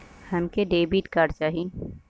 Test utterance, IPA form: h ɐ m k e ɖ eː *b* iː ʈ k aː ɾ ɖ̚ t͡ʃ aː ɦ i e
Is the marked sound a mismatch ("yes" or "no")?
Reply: no